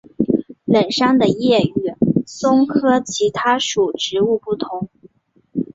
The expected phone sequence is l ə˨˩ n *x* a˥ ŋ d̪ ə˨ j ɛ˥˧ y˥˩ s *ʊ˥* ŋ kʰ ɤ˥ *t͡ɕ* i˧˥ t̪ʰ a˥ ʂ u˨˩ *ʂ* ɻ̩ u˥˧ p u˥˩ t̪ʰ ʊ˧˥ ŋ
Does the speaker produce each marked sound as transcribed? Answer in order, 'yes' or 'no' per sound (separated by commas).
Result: no, yes, no, no